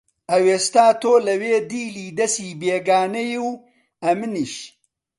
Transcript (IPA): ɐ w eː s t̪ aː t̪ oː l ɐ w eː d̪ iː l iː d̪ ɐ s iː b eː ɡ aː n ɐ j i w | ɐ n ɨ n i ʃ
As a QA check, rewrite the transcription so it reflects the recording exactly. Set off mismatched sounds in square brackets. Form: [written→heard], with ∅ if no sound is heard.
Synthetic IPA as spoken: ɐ w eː s t̪ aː t̪ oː l ɐ w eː d̪ iː l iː d̪ ɐ s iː b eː ɡ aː n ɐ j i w | ɐ [n→m] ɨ n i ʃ